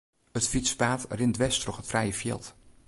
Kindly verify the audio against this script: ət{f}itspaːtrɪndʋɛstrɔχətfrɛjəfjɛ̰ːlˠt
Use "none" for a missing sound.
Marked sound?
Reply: f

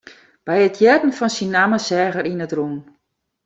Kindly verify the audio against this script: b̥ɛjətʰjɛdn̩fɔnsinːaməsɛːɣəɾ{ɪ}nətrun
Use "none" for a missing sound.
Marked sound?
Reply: i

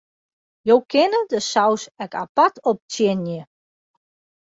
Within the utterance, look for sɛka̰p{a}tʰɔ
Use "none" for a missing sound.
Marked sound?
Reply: a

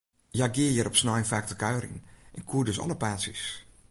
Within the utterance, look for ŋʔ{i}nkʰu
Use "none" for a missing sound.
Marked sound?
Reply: ɛ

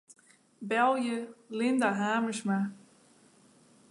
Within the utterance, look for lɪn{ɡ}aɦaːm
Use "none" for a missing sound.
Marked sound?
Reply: d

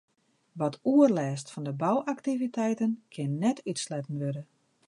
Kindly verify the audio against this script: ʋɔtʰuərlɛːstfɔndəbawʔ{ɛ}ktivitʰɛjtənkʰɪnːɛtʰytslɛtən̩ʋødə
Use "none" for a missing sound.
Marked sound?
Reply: a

